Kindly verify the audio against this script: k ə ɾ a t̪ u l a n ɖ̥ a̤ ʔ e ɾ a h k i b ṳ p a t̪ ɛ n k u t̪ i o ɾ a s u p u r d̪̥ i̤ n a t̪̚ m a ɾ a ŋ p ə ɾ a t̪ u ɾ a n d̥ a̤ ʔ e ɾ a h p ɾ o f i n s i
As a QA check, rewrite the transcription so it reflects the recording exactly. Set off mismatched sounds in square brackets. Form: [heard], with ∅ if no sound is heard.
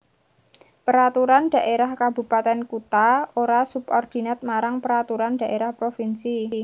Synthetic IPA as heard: [p] ə ɾ a t̪ u [ɾ] a n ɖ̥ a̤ ʔ e ɾ a h k [a] b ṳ p a t̪ ɛ n k u t̪ [a] o ɾ a s u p [ɔ] r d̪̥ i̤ n a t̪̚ m a ɾ a ŋ p ə ɾ a t̪ u ɾ a n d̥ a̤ ʔ e ɾ a h p ɾ o f i n s i